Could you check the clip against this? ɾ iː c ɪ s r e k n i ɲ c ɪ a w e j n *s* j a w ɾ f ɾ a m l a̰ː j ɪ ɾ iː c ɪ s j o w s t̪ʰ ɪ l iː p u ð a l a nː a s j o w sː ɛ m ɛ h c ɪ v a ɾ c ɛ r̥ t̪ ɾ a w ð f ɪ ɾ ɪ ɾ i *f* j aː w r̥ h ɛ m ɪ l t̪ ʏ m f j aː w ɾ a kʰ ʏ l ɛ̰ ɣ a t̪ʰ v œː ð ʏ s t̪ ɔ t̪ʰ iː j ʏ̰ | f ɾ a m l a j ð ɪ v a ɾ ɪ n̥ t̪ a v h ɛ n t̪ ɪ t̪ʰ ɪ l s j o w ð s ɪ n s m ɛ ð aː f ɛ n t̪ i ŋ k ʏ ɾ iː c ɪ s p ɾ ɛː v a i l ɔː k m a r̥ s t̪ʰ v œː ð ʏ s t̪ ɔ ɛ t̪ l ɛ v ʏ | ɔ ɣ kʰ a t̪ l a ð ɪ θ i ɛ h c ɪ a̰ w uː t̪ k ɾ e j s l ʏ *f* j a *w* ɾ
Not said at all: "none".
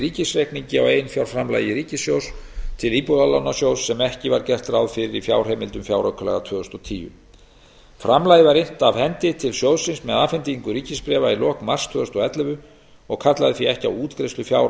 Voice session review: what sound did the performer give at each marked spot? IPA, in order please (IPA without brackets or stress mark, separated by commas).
f, f, f, w